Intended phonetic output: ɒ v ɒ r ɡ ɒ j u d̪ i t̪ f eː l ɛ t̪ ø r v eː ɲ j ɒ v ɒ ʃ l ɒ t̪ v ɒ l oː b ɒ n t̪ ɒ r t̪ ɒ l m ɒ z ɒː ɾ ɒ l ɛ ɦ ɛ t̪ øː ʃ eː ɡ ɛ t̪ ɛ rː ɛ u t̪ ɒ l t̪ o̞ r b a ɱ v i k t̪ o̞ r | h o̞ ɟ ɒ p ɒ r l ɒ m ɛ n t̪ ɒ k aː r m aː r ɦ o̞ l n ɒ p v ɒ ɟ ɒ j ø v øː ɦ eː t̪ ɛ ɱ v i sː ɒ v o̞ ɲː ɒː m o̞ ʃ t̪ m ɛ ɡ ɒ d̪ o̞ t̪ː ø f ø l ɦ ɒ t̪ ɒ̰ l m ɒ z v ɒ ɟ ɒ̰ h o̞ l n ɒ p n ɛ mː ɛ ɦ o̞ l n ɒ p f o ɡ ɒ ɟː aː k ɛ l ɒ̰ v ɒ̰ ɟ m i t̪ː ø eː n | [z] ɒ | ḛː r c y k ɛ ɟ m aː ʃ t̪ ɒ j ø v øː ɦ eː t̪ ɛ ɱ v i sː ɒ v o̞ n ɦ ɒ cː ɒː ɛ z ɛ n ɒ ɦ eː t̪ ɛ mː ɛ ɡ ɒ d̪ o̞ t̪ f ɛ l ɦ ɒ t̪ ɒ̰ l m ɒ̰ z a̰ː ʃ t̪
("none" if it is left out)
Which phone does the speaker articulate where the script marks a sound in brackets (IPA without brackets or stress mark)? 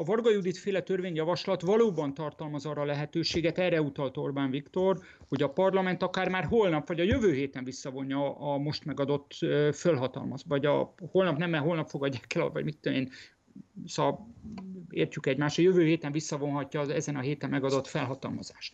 s